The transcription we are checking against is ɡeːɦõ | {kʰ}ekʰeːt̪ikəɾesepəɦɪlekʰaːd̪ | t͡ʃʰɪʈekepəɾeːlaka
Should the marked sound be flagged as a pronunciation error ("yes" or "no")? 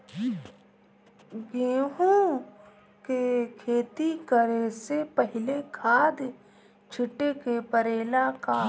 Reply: yes